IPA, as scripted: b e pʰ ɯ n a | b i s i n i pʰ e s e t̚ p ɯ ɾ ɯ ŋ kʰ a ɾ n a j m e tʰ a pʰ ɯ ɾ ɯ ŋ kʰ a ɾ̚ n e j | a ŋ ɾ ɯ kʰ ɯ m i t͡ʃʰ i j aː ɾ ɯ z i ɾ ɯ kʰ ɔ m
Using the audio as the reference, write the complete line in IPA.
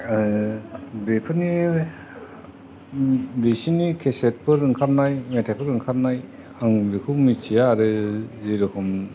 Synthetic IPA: b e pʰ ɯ n i | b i s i n i kʰ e s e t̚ p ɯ ɾ ɯ ŋ kʰ a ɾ n a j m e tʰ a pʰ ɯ ɾ ɯ ŋ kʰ a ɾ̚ n a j | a ŋ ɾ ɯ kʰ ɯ m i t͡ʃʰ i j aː ɾ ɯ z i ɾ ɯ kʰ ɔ m